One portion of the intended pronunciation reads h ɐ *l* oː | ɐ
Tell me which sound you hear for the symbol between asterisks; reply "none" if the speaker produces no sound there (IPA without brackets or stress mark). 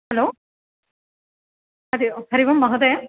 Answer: l